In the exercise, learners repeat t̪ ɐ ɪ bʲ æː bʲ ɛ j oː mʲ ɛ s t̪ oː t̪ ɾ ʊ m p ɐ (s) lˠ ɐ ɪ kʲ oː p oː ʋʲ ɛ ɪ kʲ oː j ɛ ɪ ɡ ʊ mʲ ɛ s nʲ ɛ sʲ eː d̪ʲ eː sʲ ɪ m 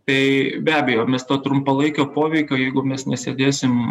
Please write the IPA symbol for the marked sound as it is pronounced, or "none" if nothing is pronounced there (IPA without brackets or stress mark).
none